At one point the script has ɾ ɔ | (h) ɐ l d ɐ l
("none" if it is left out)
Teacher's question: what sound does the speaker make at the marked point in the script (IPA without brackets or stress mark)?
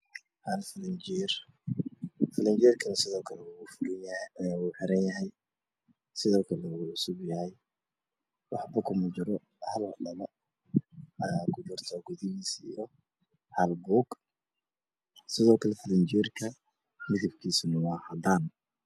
h